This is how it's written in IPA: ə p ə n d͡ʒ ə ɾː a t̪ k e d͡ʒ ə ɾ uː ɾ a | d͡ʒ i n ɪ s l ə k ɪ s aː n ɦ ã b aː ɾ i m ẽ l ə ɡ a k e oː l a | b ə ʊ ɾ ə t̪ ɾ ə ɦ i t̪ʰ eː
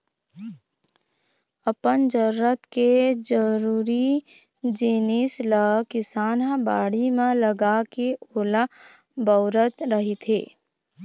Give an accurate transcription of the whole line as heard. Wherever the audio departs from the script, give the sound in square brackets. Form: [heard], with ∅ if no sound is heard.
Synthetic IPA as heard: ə p ə n d͡ʒ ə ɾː [ə] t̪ k e d͡ʒ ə ɾ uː ɾ [i] | d͡ʒ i n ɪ s l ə k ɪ s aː n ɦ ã b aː [ɽ] i m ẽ l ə ɡ a k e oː l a | b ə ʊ ɾ ə t̪ ɾ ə ɦ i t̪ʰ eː